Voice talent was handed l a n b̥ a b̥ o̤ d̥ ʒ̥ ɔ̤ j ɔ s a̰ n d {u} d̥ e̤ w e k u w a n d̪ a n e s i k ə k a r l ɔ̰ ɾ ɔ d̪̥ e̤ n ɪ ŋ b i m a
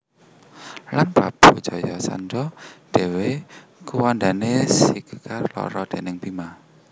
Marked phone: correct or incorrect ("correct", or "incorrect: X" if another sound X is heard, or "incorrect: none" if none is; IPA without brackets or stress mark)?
incorrect: ɔ